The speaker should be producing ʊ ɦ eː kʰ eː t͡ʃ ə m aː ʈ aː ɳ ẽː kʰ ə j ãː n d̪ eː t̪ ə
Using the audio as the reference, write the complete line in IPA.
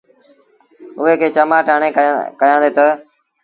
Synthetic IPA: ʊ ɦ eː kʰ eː t͡ʃ ə m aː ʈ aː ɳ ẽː k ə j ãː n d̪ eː t̪ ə